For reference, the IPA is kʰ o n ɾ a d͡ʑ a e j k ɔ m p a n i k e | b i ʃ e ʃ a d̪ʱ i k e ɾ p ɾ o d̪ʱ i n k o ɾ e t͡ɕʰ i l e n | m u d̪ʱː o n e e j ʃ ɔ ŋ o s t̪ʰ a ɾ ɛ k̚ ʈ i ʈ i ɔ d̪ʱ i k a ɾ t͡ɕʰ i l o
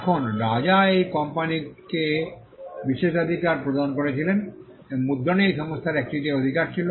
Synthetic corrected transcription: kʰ o n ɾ a d͡ʑ a e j k ɔ m p a n i k e | b i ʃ e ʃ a d̪ʱ i k a ɾ p ɾ o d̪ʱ a n k o ɾ e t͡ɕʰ i l e n | m u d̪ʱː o n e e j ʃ ɔ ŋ o s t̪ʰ a ɾ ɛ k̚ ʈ i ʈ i o d̪ʱ i k a ɾ t͡ɕʰ i l o